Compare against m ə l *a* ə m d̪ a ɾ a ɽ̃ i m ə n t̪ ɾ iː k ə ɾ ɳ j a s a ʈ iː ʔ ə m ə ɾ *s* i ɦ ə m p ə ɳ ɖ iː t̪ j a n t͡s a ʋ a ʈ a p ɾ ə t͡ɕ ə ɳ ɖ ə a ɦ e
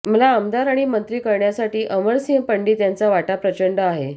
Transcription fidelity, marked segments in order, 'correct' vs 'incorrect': correct, correct

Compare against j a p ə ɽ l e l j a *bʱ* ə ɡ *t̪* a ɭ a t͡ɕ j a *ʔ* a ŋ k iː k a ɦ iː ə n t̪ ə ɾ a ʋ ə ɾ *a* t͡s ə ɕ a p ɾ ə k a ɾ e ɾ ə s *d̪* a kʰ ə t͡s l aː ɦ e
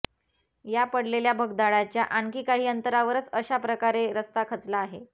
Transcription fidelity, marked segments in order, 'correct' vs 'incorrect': correct, incorrect: d̪, correct, incorrect: ə, incorrect: t̪

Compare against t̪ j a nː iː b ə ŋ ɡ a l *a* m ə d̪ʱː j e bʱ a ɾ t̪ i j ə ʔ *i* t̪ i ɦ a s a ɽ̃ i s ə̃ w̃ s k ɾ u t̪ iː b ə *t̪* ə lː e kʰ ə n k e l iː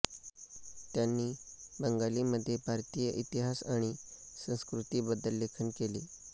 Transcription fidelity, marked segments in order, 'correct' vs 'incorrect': incorrect: i, correct, incorrect: d̪

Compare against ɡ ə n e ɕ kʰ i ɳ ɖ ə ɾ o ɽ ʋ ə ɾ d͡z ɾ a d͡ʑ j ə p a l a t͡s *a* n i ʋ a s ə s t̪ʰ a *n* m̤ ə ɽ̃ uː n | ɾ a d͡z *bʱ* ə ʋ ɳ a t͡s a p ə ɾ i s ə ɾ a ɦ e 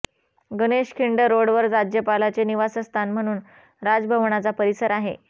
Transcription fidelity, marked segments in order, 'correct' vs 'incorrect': incorrect: e, correct, correct

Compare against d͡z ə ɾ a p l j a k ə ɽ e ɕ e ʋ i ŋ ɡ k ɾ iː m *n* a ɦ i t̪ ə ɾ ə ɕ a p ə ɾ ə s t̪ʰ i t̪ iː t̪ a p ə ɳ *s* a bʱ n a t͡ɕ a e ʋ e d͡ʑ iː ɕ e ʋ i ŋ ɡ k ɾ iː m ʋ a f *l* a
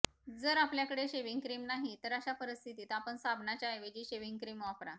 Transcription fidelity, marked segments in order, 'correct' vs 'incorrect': correct, correct, incorrect: ɾ

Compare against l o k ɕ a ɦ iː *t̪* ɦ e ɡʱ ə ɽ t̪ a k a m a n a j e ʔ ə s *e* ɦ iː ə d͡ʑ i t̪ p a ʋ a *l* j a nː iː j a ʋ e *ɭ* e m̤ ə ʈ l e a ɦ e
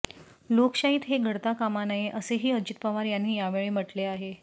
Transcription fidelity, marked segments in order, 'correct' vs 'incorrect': correct, correct, incorrect: ɾ, correct

